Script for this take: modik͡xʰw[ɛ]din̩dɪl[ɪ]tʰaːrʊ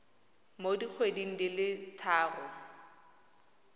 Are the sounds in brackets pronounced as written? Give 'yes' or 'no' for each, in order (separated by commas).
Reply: no, yes